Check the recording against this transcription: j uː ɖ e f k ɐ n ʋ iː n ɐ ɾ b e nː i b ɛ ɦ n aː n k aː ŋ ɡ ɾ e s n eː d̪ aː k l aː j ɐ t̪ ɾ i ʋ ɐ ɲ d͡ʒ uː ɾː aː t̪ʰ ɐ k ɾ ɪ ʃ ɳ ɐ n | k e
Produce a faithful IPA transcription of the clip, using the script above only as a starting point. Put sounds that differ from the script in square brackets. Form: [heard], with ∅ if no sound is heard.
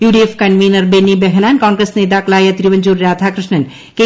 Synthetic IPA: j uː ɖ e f k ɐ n ʋ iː n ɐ ɾ b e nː i b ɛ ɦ n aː n k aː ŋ ɡ ɾ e s n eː [t̪] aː k l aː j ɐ t̪ ɾ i ʋ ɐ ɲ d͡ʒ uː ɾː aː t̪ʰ [a] k ɾ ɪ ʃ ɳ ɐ n | k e